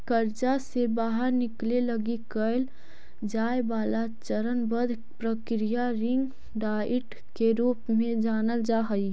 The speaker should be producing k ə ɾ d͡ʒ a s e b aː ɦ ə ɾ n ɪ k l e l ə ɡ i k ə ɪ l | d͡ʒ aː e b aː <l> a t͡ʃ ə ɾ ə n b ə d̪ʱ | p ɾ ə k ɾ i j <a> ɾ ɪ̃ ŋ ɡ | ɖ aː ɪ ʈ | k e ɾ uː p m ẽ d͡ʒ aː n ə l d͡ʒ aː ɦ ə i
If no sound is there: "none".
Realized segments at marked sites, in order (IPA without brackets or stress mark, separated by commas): l, a